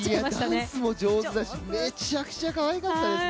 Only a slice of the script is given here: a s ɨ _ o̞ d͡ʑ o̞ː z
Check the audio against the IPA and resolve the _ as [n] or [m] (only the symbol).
m